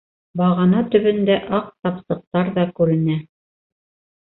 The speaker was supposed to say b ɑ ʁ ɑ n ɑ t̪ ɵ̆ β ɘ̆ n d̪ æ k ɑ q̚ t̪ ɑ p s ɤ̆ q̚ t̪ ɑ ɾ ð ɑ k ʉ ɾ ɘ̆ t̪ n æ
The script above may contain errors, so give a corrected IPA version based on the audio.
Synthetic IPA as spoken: b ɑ ʁ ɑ n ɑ t̪ ɵ̆ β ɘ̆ n d̪ æ ʔ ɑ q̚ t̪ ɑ p s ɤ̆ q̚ t̪ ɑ ɾ ð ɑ k ʉ ɾ ɘ̆ n æ